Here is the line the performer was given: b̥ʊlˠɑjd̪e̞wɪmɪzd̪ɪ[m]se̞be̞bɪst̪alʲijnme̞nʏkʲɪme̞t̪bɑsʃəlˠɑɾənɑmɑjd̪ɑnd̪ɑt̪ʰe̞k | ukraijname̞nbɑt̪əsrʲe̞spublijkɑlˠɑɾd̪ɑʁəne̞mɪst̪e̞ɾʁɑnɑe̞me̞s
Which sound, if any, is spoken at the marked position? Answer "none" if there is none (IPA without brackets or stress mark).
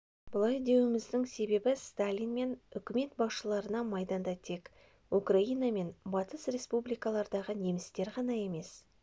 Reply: ŋ